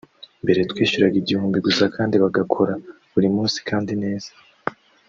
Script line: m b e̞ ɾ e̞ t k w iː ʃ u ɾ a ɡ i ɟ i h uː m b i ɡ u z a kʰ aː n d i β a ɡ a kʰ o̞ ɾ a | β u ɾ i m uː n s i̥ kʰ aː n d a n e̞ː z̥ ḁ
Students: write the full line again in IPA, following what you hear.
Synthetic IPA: m b e̞ ɾ e̞ t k w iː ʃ u ɾ a ɡ i ɟ i h uː m b i ɡ u s a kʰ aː n d i β a ɡ a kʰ o̞ ɾ a | β u ɾ i m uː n s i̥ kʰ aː n d i n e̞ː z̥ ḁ

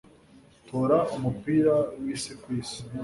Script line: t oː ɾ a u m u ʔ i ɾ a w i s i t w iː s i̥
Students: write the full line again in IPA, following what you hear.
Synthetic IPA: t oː ɾ a u m u p i ɾ a w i s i k w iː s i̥

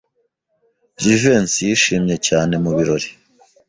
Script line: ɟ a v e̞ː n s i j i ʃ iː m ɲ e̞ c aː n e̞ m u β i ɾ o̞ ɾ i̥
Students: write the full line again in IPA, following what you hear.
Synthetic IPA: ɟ i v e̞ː n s i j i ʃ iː m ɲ e̞ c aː n e̞ m u β i ɾ o̞ ɾ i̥

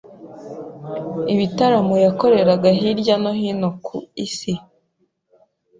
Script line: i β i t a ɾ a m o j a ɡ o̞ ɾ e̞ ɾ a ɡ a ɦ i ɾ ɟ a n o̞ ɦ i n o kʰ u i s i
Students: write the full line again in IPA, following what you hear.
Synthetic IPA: i β i t a ɾ a m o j a k o̞ ɾ e̞ ɾ a ɡ a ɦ i ɾ ɟ a n o̞ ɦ i n o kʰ u i s i

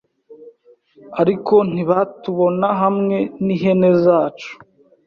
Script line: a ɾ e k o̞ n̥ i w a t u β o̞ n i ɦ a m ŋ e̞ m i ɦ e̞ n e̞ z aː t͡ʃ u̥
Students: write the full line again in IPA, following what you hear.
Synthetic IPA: a ɾ i k o̞ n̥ i β a t u β o̞ n a ɦ a m ŋ e̞ n i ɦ e̞ n e̞ z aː t͡ʃ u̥

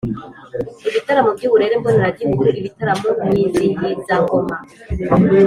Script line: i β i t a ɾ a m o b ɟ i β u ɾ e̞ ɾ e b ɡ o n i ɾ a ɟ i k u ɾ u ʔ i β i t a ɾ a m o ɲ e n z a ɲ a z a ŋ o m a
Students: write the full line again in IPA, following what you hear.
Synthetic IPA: i β i t a ɾ a m o b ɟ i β u ɾ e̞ ɾ e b ɡ o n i ɾ a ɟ i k u ɾ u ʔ i β i t a ɾ a m o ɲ i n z i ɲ i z a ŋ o m a

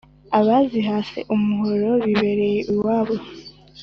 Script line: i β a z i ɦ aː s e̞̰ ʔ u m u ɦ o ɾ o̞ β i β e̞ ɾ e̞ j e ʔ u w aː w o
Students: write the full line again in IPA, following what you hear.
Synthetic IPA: a β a z i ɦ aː s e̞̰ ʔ u m u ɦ o ɾ o̞ β i β e̞ ɾ e̞ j e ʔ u w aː β o

